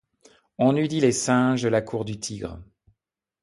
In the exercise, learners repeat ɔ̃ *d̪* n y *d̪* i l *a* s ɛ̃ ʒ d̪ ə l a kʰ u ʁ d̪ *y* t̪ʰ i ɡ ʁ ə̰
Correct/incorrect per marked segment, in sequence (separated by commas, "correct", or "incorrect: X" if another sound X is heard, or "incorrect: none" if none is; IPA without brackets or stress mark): incorrect: none, correct, incorrect: e, correct